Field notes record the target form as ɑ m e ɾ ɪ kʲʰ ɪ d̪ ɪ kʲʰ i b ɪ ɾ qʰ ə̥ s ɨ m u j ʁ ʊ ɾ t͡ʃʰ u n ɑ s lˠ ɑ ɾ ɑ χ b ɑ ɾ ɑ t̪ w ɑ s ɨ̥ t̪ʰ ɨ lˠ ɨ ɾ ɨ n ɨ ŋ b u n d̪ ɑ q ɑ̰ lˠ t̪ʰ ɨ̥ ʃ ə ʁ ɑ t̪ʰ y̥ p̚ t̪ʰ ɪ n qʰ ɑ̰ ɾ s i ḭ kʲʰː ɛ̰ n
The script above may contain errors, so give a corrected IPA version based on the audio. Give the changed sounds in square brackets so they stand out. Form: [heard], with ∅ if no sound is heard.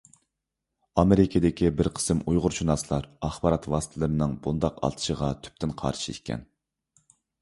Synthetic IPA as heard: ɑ m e ɾ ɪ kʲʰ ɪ d̪ ɪ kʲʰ i b ɪ ɾ qʰ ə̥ s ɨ m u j ʁ ʊ ɾ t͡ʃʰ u n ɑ s lˠ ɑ ɾ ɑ χ b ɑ ɾ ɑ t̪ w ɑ s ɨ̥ t̪ʰ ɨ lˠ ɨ ɾ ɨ n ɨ ŋ b u n d̪ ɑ q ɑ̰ lˠ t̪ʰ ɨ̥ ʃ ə ʁ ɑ t̪ʰ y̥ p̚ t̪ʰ ɪ n qʰ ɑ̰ ɾ [ʃ] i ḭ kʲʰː ɛ̰ n